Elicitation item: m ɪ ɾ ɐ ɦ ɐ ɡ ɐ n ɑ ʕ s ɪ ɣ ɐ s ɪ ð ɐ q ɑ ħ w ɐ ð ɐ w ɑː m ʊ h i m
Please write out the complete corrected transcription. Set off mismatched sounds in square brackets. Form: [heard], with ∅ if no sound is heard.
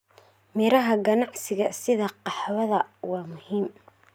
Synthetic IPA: m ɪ ɾ ɐ ɦ ɐ ɡ ɐ n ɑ ʕ s ɪ ɣ ɐ s ɪ ð ɐ q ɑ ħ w ɐ ð ɐ w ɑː m ʊ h [iː] m